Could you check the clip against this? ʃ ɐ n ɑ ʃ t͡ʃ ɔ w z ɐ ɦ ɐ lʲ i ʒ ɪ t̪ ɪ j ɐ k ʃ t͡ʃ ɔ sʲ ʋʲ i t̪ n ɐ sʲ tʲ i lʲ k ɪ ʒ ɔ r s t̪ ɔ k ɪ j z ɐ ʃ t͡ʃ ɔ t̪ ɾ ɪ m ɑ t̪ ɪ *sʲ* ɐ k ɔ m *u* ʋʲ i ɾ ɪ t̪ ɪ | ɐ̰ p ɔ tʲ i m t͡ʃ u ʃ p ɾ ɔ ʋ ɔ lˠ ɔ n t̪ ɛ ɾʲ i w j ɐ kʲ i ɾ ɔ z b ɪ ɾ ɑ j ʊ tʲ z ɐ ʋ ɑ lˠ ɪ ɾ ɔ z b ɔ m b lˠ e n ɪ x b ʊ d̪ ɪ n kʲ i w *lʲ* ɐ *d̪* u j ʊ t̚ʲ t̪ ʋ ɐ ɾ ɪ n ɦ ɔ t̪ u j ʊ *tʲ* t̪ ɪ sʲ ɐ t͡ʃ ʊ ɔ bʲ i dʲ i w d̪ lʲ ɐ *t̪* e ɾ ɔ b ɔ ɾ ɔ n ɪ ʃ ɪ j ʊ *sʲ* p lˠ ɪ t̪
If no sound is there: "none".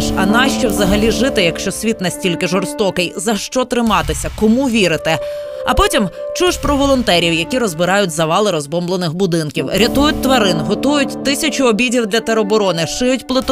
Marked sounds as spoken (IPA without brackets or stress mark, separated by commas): sʲ, u, ɾʲ, t̪, tʲ, t̪, tʲ